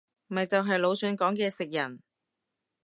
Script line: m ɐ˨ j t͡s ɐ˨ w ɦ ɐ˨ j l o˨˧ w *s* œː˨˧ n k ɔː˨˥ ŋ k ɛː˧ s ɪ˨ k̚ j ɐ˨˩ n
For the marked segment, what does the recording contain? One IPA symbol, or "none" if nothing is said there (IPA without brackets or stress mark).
s